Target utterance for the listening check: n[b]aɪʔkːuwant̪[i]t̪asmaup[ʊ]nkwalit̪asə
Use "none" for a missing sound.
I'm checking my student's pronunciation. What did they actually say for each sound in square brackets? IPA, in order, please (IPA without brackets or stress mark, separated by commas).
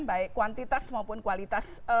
b, i, ʊ